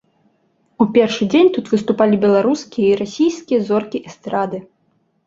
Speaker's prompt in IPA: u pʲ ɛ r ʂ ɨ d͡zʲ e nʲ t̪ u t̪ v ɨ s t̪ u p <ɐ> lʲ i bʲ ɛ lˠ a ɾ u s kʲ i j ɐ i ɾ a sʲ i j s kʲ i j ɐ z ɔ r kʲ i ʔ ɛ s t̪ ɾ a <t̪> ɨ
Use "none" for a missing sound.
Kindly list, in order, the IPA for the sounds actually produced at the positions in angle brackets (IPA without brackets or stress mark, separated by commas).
a, d̪